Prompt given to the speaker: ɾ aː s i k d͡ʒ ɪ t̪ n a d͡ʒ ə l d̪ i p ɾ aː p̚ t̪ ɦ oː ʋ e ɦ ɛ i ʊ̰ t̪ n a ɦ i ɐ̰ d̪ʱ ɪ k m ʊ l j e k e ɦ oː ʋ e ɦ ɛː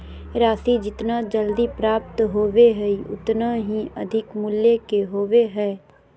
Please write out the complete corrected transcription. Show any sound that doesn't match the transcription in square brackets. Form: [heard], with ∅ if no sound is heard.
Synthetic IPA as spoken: ɾ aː s i [∅] d͡ʒ ɪ t̪ n a d͡ʒ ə l d̪ i p ɾ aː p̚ t̪ ɦ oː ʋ e ɦ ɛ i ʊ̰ t̪ n a ɦ i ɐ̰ d̪ʱ ɪ k m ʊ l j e k e ɦ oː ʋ e ɦ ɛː